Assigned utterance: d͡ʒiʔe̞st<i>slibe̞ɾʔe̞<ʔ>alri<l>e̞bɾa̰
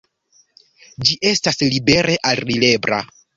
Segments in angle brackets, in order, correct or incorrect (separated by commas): incorrect, correct, correct